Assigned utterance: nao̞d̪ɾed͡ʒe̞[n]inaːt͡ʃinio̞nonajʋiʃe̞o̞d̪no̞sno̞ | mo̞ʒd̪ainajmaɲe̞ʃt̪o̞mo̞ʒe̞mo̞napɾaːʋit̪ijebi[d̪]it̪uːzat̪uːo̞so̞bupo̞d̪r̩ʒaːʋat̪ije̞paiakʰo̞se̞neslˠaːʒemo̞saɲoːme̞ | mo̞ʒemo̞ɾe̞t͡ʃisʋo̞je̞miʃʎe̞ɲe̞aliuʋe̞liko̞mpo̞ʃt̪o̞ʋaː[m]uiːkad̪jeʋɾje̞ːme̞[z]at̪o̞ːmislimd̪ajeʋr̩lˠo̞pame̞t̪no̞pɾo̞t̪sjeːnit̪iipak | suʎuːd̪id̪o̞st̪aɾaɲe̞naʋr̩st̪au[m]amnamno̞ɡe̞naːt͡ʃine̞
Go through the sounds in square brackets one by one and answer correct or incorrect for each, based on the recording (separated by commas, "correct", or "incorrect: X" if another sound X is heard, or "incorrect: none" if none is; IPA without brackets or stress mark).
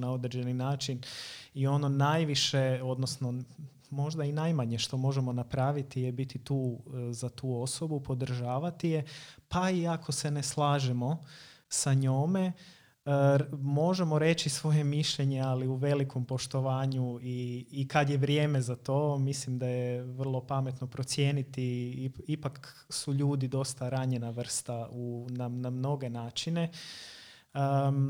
correct, incorrect: t̪, incorrect: ɲ, correct, incorrect: n